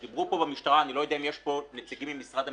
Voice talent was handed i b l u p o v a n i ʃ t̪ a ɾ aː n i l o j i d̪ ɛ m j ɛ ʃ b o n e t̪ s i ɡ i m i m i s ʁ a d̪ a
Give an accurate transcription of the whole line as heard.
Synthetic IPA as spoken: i b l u p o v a m i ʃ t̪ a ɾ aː n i l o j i d̪ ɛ m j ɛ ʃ p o n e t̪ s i ɡ i m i m i s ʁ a d̪ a